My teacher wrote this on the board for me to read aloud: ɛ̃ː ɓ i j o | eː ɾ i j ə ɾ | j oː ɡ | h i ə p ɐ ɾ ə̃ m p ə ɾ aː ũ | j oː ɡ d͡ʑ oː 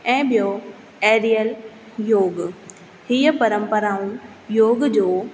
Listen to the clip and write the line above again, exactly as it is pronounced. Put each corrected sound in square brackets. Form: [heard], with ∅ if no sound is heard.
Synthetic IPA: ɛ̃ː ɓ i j o | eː ɾ i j ə [l] | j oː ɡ | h i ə p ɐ ɾ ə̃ m p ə ɾ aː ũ | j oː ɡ d͡ʑ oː